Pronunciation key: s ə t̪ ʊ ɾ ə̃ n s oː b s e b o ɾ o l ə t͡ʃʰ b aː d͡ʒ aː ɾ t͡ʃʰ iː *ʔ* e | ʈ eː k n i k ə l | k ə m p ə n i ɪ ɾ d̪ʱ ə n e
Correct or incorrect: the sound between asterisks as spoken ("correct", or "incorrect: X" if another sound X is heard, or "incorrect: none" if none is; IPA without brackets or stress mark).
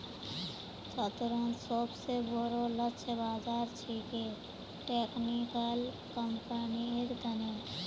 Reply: incorrect: k